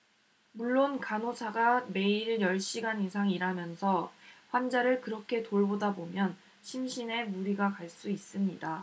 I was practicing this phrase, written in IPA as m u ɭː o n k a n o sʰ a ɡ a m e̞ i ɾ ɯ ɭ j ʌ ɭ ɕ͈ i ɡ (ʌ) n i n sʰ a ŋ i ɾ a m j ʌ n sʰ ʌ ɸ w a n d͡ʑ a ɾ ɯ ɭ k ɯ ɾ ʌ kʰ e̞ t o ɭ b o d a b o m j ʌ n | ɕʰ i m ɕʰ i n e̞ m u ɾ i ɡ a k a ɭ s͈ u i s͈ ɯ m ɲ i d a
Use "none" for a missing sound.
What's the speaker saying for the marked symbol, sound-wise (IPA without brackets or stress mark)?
a